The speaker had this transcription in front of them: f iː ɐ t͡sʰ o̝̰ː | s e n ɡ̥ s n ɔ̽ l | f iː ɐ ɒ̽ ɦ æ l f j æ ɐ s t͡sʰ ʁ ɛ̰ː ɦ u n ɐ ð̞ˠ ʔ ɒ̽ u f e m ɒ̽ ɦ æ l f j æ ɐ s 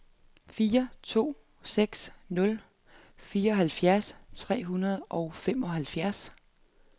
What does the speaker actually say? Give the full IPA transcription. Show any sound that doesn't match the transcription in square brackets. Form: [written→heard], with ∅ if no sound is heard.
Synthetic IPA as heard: f iː ɐ t͡sʰ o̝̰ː | s e [n→∅] ɡ̥ s n ɔ̽ l | f iː ɐ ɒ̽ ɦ æ l f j æ ɐ s t͡sʰ ʁ ɛ̰ː ɦ u n ɐ ð̞ˠ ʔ ɒ̽ [u→ʊ] f e m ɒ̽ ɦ æ l f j æ ɐ s

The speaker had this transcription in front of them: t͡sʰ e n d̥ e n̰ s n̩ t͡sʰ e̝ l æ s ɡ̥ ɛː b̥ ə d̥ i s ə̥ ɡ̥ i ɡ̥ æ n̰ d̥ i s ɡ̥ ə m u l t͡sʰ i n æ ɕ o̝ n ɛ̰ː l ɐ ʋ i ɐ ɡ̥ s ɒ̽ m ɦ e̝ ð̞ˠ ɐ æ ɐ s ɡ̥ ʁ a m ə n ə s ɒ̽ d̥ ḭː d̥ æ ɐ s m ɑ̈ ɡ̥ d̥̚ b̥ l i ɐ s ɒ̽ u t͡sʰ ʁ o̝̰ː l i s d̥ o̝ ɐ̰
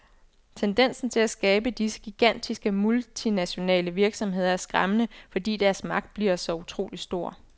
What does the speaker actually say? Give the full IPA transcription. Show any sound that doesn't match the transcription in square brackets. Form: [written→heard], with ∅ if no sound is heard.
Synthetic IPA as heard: t͡sʰ e n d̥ e n̰ s n̩ t͡sʰ e̝ l æ s ɡ̥ ɛː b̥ ə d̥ i s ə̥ ɡ̥ i ɡ̥ æ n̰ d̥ i s ɡ̥ ə m u l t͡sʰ i n æ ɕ o̝ n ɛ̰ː l [ɐ→ə] ʋ i ɐ ɡ̥ s ɒ̽ m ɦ e̝ ð̞ˠ ɐ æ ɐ s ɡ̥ ʁ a m ə n ə [s→f] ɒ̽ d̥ ḭː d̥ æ ɐ s m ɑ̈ ɡ̥ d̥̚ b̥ l i ɐ s ɒ̽ u t͡sʰ ʁ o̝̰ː l i s d̥ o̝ ɐ̰

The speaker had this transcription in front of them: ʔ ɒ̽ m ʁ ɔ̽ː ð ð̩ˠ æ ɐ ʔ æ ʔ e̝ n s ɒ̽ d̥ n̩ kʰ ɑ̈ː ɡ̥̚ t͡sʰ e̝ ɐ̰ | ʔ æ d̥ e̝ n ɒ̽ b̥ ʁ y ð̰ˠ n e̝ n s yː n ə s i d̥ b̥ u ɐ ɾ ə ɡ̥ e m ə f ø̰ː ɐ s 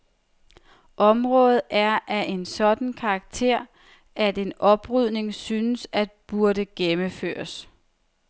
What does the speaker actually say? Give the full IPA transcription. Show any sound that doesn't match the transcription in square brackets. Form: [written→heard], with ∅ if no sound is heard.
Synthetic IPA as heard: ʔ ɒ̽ m ʁ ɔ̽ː ð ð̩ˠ æ ɐ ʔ æ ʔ e̝ n s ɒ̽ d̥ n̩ kʰ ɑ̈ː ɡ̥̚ t͡sʰ e̝ ɐ̰ | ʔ æ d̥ e̝ n ɒ̽ b̥ ʁ y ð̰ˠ n e̝ [n→ŋ] s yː n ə s [i→æ] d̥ b̥ u ɐ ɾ ə ɡ̥ e m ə f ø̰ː ɐ s

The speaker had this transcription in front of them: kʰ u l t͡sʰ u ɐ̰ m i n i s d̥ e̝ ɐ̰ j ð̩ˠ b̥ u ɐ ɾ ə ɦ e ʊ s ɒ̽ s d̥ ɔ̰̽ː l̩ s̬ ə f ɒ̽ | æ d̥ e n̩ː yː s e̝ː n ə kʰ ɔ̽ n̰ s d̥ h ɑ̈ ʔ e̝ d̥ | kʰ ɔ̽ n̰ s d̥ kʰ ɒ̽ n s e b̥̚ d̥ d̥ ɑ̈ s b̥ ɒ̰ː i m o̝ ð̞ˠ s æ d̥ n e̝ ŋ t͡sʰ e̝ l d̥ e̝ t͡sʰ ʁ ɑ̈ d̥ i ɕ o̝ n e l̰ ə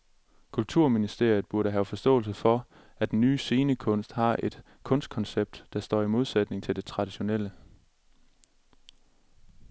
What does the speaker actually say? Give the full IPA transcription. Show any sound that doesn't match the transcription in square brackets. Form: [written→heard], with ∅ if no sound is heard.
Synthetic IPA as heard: kʰ u l t͡sʰ u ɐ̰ m i n i s d̥ e̝ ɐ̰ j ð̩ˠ b̥ u ɐ ɾ ə ɦ [e→æ] ʊ [s→f] ɒ̽ s d̥ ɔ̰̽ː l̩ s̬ ə f ɒ̽ | æ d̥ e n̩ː yː s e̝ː n ə kʰ ɔ̽ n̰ s d̥ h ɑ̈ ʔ e̝ d̥ | kʰ ɔ̽ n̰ s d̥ kʰ ɒ̽ n s e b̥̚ d̥ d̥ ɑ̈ s [b̥→d̥] ɒ̰ː i m o̝ ð̞ˠ s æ d̥ n e̝ ŋ t͡sʰ e̝ l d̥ e̝ t͡sʰ ʁ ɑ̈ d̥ i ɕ o̝ n e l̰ ə

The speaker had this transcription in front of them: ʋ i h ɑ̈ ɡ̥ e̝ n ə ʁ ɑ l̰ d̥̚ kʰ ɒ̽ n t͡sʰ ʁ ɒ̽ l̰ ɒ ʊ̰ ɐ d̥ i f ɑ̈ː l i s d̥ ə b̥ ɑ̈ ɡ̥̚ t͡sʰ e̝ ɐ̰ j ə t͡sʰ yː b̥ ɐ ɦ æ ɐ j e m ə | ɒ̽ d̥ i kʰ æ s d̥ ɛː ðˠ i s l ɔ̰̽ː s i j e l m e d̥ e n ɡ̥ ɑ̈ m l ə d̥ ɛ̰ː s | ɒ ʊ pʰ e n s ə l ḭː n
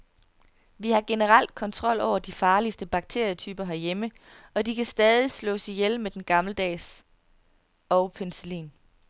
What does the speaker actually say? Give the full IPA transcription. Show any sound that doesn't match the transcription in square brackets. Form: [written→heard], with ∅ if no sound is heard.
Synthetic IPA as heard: ʋ i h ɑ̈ ɡ̥ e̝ n ə ʁ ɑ l̰ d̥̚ kʰ ɒ̽ n t͡sʰ ʁ ɒ̽ l̰ ɒ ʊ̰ ɐ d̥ i f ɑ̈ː l i s d̥ ə b̥ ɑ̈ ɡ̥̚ t͡sʰ e̝ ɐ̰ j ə t͡sʰ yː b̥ ɐ ɦ æ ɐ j e m ə | ɒ̽ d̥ i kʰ æ s d̥ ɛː ðˠ i s l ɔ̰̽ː s i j e l m e d̥ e n ɡ̥ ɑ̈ m l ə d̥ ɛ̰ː s | ɒ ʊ pʰ e n s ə l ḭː n

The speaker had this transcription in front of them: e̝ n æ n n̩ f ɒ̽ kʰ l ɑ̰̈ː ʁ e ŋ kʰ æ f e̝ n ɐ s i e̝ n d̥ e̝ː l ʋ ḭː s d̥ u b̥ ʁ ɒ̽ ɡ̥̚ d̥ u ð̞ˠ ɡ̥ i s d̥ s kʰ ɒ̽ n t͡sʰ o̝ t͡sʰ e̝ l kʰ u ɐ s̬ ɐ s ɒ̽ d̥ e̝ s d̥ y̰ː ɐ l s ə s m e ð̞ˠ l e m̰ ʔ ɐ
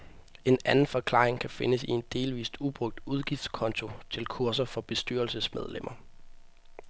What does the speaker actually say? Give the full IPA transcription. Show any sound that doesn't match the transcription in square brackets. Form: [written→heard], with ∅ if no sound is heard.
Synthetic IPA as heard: e̝ n æ n n̩ f ɒ̽ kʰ l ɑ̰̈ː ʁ e ŋ kʰ æ f e̝ n [ɐ→ə] s i e̝ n d̥ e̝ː l ʋ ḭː s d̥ u b̥ ʁ [ɒ̽→ɔ̽] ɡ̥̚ d̥ u ð̞ˠ ɡ̥ i [s→f] d̥ s kʰ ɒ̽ n t͡sʰ o̝ t͡sʰ e̝ l kʰ u ɐ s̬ ɐ [s→f] ɒ̽ [d̥→b̥] e̝ s d̥ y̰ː ɐ l s ə s m e ð̞ˠ l e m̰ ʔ ɐ

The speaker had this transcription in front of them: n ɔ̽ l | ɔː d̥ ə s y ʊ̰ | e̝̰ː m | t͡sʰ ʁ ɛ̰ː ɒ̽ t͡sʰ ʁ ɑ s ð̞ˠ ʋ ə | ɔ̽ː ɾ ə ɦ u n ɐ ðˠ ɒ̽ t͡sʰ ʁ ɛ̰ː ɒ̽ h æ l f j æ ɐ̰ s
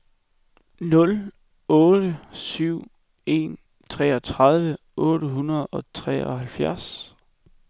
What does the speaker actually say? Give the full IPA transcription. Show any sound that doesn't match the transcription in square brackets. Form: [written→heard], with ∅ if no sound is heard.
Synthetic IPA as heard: n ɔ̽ l | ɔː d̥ ə s y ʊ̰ | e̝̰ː [m→n] | t͡sʰ ʁ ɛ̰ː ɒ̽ t͡sʰ ʁ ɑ [s→∅] ð̞ˠ ʋ ə | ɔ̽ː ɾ ə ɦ u n ɐ ðˠ ɒ̽ t͡sʰ ʁ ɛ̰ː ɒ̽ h æ l f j æ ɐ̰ s

